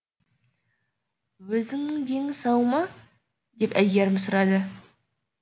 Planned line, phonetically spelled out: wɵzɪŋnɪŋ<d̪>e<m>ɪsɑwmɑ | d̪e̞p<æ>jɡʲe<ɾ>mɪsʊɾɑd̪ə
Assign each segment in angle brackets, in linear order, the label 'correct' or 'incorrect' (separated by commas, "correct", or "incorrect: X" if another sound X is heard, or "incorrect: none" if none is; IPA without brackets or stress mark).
correct, incorrect: ŋ, correct, correct